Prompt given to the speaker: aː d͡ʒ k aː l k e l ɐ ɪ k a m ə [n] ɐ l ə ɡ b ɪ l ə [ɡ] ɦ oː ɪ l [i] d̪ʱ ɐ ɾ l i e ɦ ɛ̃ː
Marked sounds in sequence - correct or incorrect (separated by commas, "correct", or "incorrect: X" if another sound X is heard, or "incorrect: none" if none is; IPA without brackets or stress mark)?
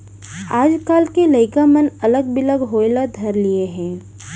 correct, correct, incorrect: a